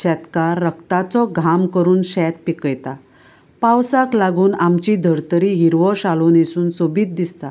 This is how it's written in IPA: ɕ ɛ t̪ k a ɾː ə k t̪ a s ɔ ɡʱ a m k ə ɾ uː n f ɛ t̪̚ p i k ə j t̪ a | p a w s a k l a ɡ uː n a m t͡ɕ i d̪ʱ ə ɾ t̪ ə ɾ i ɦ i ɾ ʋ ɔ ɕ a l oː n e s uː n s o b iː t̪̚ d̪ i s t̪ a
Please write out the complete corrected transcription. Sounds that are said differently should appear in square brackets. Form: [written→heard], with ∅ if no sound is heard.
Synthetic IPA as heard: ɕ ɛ t̪ k a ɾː ə k t̪ a [s→t͡s] ɔ ɡʱ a m k ə ɾ uː n [f→ɕ] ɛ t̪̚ p i k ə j t̪ a | p a w s a k l a ɡ uː n a m t͡ɕ i d̪ʱ ə ɾ t̪ ə ɾ i ɦ i ɾ ʋ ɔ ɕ a l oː n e s uː n s o b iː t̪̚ d̪ i s t̪ a